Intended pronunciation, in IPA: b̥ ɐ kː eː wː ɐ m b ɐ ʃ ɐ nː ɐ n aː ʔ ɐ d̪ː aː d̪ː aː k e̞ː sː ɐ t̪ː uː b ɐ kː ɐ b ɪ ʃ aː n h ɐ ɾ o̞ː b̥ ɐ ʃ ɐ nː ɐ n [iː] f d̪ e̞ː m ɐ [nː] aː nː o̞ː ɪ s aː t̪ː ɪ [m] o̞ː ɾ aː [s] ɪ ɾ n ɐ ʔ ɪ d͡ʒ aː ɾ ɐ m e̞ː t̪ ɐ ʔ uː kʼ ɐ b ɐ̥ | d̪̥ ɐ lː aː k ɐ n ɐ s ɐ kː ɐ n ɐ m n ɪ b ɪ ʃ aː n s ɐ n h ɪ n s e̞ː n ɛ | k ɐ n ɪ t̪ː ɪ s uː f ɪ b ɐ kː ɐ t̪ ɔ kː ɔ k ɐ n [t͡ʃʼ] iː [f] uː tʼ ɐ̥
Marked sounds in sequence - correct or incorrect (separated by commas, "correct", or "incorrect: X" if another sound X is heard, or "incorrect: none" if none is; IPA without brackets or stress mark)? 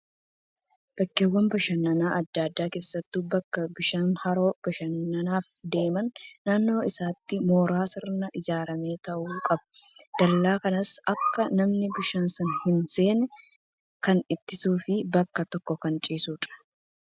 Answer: incorrect: aː, correct, correct, correct, correct, incorrect: s